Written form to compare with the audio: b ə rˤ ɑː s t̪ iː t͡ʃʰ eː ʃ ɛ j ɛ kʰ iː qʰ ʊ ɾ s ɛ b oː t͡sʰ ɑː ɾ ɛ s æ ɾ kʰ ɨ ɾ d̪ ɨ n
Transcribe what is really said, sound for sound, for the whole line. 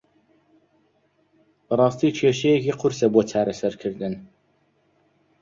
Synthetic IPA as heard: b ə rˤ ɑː s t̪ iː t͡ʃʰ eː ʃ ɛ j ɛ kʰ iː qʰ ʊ ɾ s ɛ b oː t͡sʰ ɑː ɾ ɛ s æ ɾ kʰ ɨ ɾ d̪ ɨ n